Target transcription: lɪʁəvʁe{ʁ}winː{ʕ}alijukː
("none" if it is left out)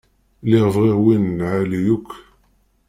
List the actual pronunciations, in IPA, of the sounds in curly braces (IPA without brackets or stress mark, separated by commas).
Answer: ʁ, ʕ